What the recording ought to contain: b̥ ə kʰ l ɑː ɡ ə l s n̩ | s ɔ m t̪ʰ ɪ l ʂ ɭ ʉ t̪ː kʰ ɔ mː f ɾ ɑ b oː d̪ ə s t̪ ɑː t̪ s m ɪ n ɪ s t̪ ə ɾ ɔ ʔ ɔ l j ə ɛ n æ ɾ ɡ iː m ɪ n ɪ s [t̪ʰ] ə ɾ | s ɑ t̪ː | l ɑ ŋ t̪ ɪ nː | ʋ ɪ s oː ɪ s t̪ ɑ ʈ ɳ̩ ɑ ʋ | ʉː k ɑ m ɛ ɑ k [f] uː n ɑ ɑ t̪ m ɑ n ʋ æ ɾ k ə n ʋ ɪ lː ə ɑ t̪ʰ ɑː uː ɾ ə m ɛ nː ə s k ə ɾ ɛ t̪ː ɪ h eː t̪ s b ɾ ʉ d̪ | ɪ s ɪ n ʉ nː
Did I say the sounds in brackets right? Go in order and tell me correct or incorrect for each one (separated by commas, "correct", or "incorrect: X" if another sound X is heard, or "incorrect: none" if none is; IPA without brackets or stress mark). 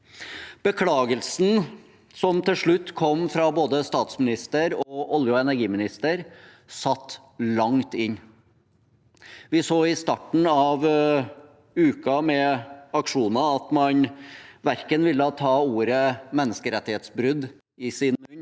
incorrect: t̪, incorrect: ʂ